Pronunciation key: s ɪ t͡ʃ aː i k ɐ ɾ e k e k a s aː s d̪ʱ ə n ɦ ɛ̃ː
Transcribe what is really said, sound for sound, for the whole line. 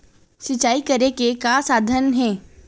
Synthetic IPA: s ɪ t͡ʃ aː i k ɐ ɾ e k e k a s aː d̪ʱ ə n ɦ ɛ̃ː